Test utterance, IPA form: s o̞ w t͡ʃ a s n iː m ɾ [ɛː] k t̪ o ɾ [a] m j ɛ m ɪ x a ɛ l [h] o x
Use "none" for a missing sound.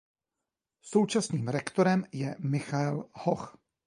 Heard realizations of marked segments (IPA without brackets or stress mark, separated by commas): ɛ, ɛ, h